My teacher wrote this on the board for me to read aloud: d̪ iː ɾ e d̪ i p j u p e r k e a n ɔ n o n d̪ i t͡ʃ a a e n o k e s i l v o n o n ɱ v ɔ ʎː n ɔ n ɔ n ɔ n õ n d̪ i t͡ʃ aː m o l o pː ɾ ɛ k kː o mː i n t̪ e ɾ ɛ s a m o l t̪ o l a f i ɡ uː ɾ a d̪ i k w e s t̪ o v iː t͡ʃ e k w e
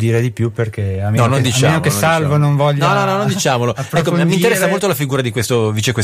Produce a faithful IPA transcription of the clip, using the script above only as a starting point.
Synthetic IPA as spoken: d̪ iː ɾ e d̪ i p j u p e r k e a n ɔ n o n d̪ i t͡ʃ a a e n o k e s a l v o n o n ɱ v ɔ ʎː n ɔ n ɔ n ɔ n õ n d̪ i t͡ʃ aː m o l o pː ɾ ɛ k kː o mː i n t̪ e ɾ ɛ sː a m o l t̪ o l a f i ɡ uː ɾ a d̪ i k w e s t̪ o v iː t͡ʃ e k w e